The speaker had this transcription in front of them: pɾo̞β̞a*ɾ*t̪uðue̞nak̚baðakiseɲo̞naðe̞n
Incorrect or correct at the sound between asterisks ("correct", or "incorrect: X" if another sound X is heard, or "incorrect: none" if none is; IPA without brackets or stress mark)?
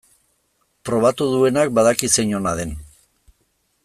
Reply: incorrect: none